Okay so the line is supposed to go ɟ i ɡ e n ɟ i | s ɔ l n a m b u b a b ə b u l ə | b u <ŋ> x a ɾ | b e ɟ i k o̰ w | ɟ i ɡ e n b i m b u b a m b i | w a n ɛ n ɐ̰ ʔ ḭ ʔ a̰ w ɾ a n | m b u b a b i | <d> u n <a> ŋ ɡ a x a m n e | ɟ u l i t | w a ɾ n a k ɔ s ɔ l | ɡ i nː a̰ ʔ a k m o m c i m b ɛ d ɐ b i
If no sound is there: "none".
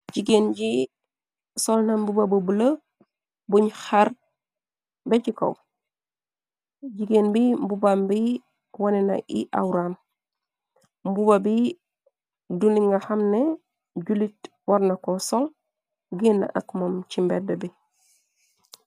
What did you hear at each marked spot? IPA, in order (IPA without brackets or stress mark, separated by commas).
ɲ, d, i